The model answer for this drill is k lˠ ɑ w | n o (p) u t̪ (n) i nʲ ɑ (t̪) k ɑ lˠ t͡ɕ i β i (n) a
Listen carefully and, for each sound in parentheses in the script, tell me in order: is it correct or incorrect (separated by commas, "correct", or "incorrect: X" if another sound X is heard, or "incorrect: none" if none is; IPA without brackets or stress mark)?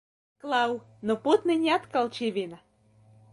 correct, correct, correct, correct